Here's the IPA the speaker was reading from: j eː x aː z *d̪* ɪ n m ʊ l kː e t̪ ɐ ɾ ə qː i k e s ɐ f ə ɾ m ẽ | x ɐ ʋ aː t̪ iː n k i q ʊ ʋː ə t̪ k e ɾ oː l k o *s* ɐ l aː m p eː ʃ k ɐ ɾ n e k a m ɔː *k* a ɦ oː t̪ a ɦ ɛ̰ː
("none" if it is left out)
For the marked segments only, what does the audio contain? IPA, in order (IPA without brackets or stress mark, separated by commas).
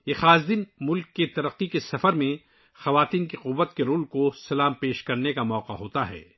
d̪, s, q